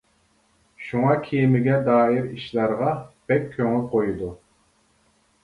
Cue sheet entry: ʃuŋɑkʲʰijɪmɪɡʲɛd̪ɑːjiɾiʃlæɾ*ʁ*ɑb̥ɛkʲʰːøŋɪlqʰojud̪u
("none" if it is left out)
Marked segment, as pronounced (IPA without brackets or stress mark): ʁ